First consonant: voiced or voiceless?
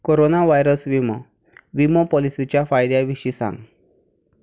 voiceless